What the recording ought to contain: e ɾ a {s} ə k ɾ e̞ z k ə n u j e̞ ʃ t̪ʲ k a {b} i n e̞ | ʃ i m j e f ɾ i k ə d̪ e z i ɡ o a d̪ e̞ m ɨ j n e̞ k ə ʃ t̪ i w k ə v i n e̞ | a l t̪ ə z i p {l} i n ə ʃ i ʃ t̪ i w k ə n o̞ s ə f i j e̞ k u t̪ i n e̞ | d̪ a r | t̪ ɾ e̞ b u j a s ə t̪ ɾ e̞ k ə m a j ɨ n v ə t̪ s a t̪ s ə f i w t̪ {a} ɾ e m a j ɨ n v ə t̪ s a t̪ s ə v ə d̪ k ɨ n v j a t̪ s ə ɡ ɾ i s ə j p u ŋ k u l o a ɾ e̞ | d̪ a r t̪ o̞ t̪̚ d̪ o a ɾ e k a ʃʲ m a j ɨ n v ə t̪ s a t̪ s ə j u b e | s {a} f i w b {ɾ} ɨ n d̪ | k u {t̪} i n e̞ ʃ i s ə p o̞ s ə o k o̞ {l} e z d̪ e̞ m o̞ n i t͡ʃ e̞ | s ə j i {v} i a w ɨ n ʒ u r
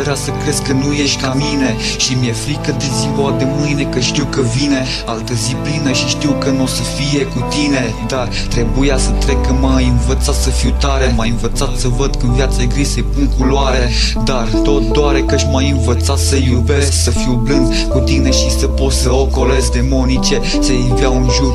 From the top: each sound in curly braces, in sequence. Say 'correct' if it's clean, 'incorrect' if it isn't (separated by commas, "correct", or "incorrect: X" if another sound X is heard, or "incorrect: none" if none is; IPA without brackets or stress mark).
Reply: correct, incorrect: m, correct, correct, incorrect: ə, incorrect: l, correct, correct, correct